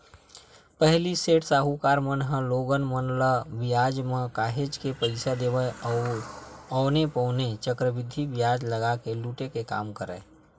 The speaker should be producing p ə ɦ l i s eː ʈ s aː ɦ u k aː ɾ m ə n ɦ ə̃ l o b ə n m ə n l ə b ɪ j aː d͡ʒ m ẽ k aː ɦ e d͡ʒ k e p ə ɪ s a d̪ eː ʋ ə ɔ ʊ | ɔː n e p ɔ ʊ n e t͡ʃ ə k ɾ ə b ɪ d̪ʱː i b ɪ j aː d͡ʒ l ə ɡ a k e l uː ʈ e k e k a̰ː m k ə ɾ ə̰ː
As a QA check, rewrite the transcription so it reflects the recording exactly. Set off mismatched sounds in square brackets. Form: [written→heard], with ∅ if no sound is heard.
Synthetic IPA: p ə ɦ l i s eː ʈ s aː ɦ u k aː ɾ m ə n ɦ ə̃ l o [b→ɡ] ə n m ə n l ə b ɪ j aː d͡ʒ m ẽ k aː ɦ e d͡ʒ k e p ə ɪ s a d̪ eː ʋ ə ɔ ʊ | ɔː n e p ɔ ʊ n e t͡ʃ ə k ɾ ə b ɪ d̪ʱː i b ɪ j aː d͡ʒ l ə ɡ a k e l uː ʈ e k e k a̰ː m k ə ɾ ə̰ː